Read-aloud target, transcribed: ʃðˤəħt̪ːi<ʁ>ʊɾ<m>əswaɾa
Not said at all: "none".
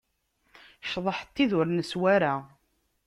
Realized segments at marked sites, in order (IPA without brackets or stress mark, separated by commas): ð, n